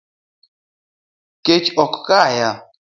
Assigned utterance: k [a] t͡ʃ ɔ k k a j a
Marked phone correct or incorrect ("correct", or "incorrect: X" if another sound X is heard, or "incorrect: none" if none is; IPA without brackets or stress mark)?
incorrect: e